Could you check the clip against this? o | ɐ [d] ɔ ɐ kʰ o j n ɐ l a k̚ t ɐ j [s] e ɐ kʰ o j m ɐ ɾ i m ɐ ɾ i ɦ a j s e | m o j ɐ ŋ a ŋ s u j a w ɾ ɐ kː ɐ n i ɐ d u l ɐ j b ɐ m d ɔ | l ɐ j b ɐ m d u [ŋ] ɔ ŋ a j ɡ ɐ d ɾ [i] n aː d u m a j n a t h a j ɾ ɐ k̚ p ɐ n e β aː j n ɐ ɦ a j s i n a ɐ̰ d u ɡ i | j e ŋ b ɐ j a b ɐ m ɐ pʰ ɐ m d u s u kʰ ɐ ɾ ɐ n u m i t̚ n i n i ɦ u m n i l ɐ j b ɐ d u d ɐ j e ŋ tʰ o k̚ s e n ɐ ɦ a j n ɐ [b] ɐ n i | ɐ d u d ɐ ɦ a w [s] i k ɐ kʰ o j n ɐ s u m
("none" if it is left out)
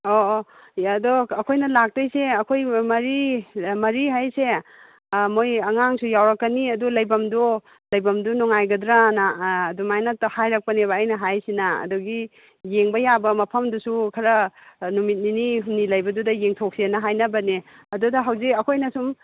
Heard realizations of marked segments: d, s, n, a, b, z

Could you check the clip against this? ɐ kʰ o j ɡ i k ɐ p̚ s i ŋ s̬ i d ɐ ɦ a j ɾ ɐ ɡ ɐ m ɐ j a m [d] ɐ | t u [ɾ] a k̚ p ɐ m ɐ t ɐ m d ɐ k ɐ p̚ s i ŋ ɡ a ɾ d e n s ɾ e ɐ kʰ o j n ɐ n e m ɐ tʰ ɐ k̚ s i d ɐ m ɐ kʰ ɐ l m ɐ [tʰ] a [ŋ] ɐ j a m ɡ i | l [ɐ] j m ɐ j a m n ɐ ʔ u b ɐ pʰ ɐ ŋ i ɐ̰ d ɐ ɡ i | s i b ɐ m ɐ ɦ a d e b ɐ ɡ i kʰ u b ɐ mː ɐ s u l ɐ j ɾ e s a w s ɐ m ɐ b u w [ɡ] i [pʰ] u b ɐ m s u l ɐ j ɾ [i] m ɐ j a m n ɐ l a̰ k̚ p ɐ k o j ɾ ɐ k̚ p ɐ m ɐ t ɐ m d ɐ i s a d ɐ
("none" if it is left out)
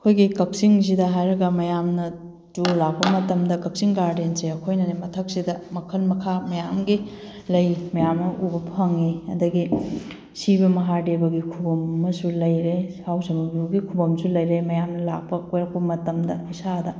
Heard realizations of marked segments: n, l, kʰ, m, ɐ, ɡ, kʰ, e

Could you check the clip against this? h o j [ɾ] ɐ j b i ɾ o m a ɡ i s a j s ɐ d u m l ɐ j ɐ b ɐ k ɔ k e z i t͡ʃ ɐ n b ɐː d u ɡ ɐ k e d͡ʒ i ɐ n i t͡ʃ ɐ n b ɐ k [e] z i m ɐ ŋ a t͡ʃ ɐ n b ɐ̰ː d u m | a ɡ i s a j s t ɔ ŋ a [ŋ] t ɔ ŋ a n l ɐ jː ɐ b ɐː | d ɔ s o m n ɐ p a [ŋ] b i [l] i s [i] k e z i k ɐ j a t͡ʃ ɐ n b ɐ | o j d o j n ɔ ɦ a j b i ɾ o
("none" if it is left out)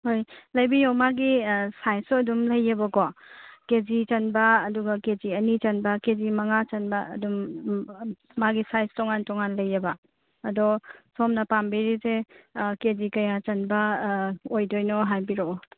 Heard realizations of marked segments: l, e, n, m, ɾ, e

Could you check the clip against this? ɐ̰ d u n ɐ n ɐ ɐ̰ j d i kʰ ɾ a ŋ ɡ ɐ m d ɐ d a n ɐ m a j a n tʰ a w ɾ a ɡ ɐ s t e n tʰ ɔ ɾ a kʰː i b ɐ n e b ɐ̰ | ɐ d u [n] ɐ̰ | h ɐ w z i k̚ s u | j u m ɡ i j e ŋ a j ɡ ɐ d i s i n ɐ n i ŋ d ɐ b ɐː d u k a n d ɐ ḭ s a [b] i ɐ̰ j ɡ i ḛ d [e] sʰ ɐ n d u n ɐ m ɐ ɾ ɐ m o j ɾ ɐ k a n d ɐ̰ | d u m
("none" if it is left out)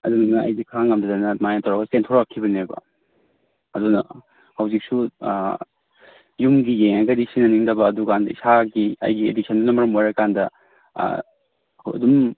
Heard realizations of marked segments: n, ɡ, i

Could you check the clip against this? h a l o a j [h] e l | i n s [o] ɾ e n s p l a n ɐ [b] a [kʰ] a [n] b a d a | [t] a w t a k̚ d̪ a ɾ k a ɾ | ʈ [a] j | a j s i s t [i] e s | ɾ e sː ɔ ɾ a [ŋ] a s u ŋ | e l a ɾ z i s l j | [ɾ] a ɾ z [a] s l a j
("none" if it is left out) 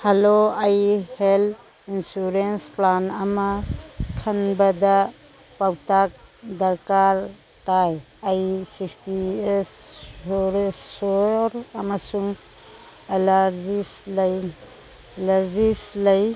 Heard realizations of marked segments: h, u, m, kʰ, n, p, a, i, m, l, i

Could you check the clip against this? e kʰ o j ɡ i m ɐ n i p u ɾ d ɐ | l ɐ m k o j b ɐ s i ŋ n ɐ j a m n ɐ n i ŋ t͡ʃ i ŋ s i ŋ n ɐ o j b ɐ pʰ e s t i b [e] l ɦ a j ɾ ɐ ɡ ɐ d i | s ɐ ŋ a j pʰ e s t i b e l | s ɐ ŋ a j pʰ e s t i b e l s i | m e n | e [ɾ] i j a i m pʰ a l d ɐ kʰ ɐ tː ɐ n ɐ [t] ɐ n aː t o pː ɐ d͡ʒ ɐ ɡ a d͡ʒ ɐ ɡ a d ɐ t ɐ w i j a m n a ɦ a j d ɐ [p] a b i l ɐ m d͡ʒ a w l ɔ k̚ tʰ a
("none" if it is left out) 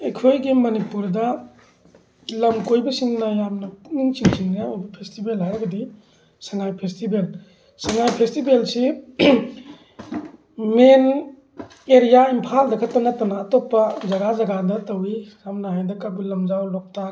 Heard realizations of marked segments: e, ɾ, t, k

